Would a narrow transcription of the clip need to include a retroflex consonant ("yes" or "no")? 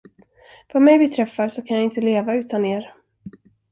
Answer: no